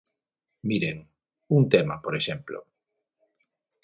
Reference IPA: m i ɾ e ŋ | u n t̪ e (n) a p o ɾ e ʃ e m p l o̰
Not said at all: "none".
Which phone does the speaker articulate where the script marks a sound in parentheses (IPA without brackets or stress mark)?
m